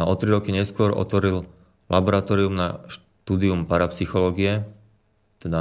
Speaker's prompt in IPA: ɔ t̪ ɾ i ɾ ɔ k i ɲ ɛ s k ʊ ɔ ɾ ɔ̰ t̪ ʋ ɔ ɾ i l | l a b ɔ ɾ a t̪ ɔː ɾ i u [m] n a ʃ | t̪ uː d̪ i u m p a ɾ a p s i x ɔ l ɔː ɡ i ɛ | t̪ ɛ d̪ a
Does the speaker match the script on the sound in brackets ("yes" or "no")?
yes